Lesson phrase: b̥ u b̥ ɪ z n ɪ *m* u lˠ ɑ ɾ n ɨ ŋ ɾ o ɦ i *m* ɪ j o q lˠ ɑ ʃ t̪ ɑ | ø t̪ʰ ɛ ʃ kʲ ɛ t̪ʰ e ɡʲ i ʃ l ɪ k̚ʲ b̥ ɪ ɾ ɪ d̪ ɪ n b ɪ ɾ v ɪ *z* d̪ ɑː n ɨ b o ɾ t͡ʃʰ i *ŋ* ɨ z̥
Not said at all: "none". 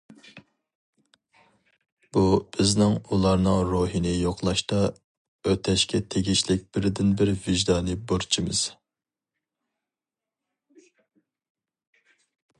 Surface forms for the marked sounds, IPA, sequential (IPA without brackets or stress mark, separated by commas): ŋ, n, ʒ, m